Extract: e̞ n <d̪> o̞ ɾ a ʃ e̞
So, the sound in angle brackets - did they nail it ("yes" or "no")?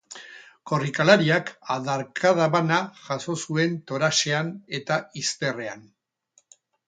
no